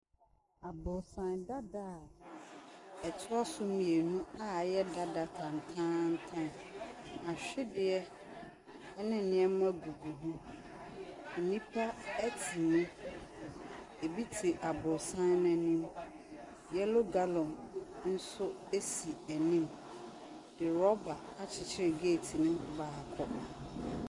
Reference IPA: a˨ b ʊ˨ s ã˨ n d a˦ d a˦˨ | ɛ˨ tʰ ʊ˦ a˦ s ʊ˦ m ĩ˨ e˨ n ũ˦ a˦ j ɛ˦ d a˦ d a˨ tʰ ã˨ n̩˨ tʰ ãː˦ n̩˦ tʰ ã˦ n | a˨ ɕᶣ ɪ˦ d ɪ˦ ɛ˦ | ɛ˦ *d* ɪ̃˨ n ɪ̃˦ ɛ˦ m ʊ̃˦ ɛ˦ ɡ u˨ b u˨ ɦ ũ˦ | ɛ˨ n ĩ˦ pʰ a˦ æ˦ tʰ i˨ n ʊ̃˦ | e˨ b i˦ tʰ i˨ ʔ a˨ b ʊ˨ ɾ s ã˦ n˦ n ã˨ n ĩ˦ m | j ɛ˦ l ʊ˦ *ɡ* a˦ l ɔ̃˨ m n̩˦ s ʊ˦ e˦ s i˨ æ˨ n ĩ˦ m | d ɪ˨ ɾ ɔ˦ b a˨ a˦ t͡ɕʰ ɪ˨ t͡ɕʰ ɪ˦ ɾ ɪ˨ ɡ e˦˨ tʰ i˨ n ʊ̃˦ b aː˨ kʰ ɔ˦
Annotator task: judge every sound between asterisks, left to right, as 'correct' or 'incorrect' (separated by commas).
incorrect, correct